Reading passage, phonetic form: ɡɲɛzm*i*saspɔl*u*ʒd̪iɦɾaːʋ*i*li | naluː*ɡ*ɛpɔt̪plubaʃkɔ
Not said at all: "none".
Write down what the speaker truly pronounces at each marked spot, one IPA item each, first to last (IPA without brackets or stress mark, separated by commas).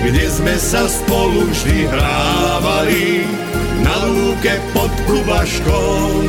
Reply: ɛ, u, a, k